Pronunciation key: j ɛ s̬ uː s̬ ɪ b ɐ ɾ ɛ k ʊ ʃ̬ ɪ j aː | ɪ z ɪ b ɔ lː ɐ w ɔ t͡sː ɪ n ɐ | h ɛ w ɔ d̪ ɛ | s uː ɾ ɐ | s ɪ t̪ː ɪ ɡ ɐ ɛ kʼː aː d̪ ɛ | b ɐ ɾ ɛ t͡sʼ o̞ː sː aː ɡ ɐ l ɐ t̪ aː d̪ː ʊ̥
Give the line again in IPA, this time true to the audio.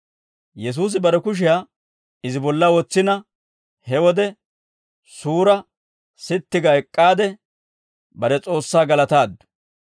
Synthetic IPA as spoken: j ɛ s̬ uː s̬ ɪ b ɐ ɾ ɛ k ʊ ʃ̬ ɪ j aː | ɪ z ɪ b ɔ lː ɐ w ɔ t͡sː ɪ n ɐ | h ɛ w ɔ d̪ ɛ | s uː ɾ ɐ | s ɪ t̪ː ɪ ɡ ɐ ɛ kʼː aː d̪ ɛ | b ɐ ɾ ɛ t͡sʼ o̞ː sː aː ɡ ɐ l ɐ t̪ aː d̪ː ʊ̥